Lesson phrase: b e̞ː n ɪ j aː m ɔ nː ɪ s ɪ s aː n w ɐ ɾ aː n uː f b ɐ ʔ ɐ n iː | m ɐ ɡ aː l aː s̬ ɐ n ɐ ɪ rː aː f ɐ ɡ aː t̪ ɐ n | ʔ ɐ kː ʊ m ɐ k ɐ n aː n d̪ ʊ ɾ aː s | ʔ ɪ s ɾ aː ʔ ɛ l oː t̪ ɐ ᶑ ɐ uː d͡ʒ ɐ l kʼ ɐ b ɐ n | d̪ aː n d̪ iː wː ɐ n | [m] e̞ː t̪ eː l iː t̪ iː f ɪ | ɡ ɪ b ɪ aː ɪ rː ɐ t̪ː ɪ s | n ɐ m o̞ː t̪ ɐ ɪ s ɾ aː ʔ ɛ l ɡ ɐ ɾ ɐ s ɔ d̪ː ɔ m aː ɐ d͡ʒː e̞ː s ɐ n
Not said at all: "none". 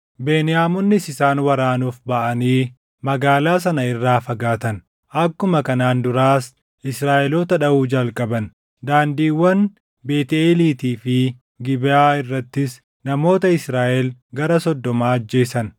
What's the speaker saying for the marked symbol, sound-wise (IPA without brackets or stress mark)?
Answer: b